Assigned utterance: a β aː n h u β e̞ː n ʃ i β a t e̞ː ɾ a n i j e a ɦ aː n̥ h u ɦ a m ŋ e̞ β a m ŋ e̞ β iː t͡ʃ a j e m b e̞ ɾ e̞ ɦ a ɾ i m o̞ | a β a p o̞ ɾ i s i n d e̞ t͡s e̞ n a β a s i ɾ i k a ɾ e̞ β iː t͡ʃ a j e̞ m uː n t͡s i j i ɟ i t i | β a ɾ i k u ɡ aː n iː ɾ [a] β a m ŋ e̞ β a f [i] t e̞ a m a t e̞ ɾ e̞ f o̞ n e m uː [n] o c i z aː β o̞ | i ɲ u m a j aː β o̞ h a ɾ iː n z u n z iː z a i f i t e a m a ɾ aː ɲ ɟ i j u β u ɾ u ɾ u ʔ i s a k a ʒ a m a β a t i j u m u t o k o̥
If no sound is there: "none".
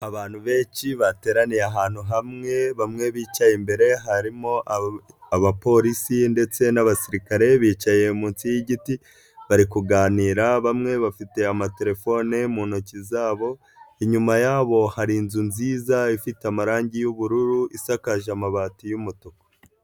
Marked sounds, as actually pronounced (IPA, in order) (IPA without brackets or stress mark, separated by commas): a, i, n